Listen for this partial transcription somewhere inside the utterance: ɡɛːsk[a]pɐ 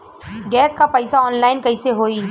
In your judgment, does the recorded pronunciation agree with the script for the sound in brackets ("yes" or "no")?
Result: yes